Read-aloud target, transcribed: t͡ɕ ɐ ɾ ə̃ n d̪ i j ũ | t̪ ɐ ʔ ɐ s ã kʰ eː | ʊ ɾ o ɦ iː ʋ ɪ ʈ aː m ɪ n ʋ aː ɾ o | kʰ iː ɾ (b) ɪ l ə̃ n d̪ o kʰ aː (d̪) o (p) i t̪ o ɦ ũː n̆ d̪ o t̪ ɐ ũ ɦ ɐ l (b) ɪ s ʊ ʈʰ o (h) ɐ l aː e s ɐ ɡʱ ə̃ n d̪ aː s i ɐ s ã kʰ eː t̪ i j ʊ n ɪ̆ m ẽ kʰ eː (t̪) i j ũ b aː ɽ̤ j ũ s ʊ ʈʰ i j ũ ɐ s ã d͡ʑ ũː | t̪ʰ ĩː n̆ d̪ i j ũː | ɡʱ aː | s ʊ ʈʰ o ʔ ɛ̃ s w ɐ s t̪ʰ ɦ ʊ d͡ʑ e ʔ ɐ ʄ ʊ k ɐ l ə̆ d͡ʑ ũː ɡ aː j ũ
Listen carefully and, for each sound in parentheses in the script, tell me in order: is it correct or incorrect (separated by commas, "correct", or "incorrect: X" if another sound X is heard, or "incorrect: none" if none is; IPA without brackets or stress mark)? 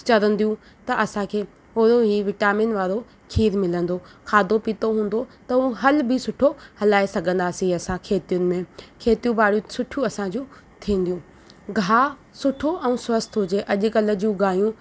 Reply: incorrect: m, correct, correct, correct, correct, correct